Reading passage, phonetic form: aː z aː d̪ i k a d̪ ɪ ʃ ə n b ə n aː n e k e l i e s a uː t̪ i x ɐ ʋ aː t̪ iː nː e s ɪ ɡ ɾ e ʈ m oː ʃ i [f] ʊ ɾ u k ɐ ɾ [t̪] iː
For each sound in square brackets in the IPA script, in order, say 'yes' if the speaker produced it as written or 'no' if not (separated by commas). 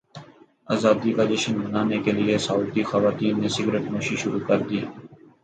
no, no